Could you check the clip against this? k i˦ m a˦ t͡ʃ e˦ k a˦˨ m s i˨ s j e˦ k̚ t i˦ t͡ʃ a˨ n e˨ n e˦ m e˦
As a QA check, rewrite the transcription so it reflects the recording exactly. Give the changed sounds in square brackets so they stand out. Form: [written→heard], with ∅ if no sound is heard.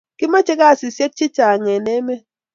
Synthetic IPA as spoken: k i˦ m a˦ t͡ʃ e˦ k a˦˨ [m→∅] s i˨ s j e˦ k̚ [t→t͡ʃ] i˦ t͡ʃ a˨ [n→ŋ] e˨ n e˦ m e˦